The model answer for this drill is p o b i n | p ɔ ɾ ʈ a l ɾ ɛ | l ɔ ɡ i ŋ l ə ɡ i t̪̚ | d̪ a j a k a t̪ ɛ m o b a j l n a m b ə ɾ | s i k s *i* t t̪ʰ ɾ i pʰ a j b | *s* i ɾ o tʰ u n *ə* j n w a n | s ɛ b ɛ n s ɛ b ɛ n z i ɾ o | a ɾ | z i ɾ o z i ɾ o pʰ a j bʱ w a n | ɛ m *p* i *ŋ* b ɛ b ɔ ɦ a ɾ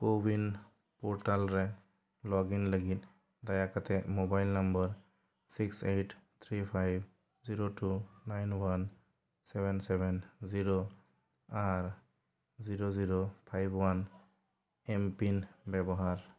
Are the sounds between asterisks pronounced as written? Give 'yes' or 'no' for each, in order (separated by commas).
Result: no, no, no, yes, no